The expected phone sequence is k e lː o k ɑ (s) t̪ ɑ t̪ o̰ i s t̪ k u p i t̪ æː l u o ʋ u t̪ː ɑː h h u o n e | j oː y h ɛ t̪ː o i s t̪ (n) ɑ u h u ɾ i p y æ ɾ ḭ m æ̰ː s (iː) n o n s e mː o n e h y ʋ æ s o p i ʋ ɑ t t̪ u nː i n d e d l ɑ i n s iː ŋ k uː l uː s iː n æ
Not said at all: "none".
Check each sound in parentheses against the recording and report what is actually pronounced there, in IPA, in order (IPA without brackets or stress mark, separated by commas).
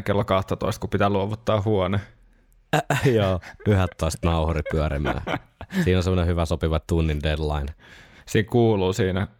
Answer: h, n, iː